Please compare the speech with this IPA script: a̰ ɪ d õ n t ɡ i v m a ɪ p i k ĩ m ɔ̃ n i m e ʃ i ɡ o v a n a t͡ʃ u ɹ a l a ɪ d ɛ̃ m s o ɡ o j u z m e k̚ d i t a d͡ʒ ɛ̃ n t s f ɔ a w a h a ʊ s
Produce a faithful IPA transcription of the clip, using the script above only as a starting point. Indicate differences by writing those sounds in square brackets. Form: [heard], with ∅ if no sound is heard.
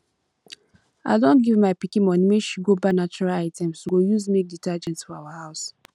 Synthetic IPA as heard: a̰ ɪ d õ n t ɡ i v m a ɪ p i k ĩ m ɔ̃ n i m e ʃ i ɡ o [b] a n a t͡ʃ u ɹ a l a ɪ [t] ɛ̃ m s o ɡ o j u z m e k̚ d i t a d͡ʒ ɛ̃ n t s f ɔ a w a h a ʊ s